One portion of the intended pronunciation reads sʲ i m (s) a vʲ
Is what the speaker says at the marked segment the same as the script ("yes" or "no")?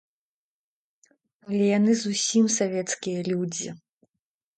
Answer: yes